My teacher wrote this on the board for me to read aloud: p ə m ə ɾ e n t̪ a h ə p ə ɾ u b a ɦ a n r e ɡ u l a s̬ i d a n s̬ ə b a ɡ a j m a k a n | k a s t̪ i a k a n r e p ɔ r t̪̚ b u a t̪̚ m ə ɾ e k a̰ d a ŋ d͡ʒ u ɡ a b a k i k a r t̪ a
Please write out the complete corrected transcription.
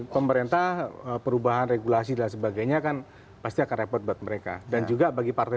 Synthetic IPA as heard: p ə m ə ɾ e n t̪ a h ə p ə ɾ u b a ɦ a n r e ɡ u l a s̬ i d a n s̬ ə b a ɡ a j ɲ a k a n | p a s t̪ i a k a n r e p ɔ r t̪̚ b u a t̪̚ m ə ɾ e k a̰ d a n d͡ʒ u ɡ a b a ɡ i p a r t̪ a